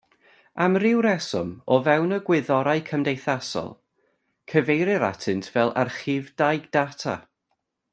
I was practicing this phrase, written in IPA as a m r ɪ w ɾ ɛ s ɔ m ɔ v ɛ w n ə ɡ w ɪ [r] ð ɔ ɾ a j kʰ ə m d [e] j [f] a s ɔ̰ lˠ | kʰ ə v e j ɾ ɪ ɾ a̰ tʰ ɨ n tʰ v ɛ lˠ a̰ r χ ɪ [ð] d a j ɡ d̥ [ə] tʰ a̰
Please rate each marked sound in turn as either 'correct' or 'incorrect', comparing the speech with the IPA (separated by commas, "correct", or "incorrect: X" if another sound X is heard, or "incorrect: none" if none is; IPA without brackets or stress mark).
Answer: incorrect: none, correct, incorrect: θ, incorrect: v, incorrect: a